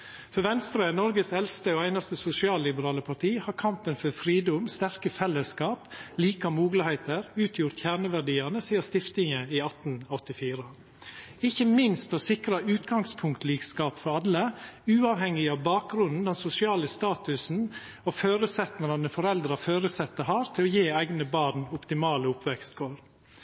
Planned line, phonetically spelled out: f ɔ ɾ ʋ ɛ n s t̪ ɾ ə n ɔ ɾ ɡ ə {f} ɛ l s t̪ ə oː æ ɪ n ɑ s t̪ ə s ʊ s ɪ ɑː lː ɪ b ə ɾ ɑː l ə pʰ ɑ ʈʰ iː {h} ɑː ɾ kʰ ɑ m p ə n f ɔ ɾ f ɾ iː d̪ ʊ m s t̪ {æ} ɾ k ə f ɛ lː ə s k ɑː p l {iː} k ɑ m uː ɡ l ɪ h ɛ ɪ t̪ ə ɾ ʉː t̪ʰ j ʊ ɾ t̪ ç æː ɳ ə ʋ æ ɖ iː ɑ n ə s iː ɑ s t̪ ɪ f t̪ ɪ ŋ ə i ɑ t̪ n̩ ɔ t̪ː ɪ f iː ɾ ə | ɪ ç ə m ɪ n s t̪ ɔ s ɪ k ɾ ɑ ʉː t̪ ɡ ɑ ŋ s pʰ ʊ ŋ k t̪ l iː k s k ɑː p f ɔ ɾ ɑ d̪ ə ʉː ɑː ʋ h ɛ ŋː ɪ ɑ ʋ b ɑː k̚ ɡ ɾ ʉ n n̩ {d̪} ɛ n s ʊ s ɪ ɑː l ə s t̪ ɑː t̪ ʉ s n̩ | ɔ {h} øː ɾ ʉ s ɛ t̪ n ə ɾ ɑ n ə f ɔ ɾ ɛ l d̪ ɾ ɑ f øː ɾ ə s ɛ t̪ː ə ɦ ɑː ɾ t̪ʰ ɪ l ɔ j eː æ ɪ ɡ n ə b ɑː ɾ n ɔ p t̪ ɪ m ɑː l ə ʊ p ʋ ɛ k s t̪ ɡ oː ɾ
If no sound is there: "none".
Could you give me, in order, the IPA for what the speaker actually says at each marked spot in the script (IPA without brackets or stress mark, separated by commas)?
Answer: s, h, æ, iː, d̪, f